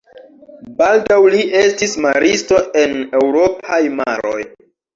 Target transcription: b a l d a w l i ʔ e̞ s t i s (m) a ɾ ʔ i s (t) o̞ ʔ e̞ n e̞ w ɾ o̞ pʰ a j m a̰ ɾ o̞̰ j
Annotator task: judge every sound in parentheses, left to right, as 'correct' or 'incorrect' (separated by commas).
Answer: correct, correct